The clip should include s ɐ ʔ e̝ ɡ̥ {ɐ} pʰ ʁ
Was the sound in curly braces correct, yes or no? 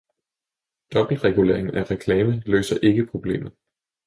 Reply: no